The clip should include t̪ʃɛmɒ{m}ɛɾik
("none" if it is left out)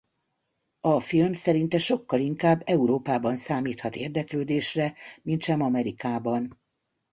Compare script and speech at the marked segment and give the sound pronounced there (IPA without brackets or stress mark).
m